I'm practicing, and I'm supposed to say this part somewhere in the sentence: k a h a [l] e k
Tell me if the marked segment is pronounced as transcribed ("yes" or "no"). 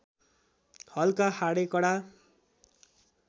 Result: no